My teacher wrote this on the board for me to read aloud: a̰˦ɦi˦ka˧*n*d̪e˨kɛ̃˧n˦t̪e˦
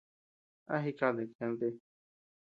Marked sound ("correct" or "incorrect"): incorrect